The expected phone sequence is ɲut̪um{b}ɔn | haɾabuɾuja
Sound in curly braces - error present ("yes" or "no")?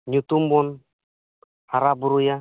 no